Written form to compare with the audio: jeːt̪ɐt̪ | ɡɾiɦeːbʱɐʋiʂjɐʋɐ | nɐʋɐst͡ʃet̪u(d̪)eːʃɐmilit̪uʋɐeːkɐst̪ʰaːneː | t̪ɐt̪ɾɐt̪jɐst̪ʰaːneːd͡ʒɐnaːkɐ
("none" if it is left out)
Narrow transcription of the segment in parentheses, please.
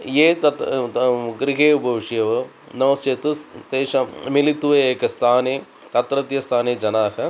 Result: t̪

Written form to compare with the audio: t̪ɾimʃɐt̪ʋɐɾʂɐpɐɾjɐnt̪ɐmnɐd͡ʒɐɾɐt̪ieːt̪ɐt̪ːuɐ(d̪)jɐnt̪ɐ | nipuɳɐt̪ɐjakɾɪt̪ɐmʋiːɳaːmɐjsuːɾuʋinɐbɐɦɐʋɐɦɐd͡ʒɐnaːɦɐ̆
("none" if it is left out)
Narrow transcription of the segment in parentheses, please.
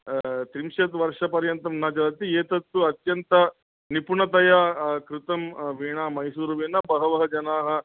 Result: t̪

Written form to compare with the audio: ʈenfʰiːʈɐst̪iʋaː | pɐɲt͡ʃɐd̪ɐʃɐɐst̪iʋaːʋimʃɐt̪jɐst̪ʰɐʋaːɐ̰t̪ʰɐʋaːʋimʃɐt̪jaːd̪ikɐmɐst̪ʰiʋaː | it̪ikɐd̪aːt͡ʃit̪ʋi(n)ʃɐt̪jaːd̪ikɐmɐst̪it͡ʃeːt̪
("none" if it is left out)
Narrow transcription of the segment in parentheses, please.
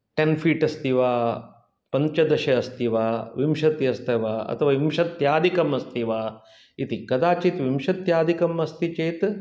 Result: m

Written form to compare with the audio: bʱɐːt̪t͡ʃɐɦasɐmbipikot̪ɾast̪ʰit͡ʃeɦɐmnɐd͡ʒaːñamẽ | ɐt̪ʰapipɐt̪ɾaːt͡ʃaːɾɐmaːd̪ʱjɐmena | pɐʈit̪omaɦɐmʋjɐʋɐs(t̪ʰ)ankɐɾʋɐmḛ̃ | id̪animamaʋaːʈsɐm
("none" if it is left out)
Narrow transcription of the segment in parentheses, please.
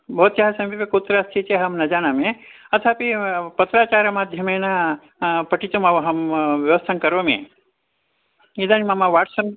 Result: t̪ʰ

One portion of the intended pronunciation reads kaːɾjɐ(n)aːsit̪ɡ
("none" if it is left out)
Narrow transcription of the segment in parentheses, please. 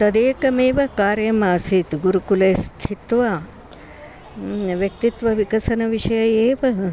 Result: m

